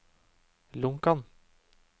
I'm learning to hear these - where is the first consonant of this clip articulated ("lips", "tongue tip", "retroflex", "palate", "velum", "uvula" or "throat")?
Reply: tongue tip